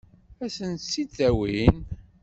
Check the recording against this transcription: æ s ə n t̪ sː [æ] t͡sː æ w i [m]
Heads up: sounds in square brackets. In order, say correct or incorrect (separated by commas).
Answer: incorrect, incorrect